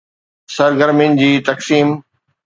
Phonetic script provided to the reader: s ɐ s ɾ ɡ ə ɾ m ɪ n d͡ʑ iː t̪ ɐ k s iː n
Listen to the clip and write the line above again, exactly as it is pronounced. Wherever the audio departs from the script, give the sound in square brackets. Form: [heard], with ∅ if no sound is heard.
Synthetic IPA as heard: s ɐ [∅] ɾ ɡ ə ɾ m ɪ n d͡ʑ iː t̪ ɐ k s iː [m]